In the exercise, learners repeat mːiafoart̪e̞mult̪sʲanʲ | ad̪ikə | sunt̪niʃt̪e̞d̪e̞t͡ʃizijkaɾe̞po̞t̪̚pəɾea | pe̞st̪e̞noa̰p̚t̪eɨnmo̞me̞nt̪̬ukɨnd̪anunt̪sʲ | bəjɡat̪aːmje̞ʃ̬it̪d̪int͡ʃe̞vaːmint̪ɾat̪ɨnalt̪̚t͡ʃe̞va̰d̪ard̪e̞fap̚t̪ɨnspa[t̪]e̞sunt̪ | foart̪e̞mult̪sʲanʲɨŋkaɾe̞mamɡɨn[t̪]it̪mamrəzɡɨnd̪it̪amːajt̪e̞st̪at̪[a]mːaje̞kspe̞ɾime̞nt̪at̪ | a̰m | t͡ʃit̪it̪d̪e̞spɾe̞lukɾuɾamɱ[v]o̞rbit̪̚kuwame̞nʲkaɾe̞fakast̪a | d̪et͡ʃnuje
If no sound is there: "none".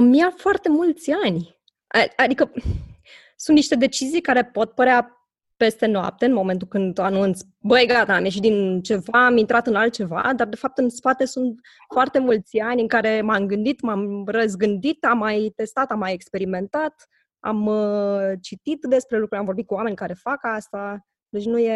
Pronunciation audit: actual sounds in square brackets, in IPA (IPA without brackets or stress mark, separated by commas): t̪, d̪, a, v